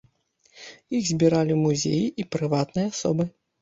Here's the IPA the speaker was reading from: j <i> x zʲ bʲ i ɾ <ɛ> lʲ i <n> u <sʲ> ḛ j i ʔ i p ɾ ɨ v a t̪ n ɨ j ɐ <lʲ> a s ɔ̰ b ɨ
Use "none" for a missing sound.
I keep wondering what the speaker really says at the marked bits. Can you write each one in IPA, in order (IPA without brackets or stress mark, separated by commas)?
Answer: i, a, m, zʲ, none